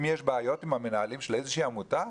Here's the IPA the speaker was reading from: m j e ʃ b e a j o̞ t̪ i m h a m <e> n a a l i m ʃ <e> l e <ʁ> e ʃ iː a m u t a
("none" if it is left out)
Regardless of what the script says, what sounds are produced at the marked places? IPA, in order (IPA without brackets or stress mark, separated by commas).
e, e, z